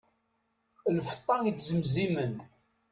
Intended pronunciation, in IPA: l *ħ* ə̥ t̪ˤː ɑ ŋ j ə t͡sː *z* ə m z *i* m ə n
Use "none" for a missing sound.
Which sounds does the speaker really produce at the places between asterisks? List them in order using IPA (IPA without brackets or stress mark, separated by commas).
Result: f, z, i